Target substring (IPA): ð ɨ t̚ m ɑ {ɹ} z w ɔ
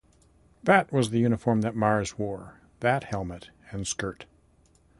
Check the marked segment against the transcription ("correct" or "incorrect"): correct